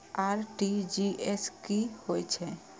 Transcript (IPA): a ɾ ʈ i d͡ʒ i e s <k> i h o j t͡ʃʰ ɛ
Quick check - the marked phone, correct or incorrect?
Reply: correct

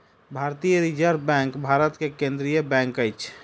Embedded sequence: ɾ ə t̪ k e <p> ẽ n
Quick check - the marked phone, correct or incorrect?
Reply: incorrect: k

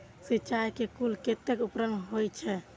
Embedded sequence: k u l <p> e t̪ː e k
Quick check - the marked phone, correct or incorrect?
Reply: incorrect: k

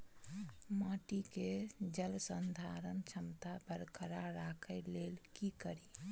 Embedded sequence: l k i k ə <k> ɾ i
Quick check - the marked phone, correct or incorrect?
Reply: incorrect: none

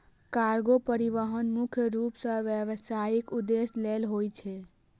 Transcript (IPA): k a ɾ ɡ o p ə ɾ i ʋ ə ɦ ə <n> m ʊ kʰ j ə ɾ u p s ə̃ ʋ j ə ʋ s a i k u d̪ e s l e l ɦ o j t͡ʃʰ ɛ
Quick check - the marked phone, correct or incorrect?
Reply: correct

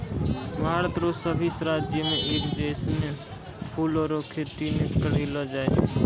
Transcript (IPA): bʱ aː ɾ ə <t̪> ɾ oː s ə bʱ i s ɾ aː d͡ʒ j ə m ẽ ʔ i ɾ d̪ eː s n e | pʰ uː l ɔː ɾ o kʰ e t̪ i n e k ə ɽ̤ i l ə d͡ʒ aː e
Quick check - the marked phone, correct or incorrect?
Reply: correct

